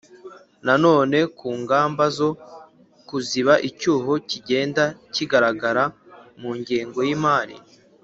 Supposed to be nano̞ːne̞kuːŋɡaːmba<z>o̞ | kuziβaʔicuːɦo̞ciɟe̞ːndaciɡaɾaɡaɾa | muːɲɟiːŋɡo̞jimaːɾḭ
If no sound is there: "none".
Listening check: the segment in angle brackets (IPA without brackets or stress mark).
z